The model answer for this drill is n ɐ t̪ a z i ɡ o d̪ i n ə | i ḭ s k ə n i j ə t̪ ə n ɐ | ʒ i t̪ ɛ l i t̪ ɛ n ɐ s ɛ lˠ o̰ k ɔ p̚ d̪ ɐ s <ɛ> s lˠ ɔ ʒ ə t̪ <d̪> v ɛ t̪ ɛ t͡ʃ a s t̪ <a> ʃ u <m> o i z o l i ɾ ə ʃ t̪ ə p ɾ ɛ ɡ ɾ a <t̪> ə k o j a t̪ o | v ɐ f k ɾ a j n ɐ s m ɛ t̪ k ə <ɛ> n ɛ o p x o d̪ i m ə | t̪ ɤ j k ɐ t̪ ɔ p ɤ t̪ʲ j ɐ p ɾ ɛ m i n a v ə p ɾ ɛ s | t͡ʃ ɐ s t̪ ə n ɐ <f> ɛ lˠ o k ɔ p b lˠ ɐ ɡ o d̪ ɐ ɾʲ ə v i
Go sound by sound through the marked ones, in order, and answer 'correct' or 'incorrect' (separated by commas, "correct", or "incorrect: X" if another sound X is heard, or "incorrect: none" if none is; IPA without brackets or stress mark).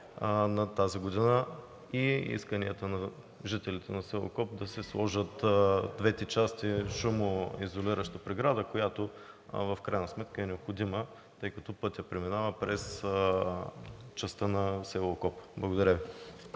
correct, correct, incorrect: i, correct, incorrect: d̪, correct, incorrect: s